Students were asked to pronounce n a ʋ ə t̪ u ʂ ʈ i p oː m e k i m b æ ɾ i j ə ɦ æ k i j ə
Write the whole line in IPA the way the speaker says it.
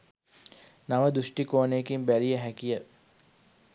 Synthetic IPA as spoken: n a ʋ ə d̪ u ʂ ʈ i k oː n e k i m b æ ɾ i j ə ɦ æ k i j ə